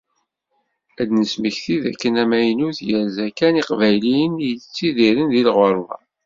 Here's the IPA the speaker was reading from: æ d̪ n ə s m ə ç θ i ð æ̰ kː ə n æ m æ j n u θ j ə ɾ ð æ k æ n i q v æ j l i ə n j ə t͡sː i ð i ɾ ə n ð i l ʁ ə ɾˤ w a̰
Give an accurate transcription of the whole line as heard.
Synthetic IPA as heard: æ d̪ n ə s m ə ç θ i ð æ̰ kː ə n æ m æ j n u θ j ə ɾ z æ k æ n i q v æ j l i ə n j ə t͡sː i ð i ɾ ə n ð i l ʁ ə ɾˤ w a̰